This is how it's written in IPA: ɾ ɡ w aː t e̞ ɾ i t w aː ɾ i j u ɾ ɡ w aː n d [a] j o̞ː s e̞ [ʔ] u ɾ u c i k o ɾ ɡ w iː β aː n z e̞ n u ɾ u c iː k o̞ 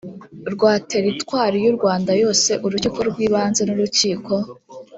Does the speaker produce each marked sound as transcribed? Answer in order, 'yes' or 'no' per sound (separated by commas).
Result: yes, yes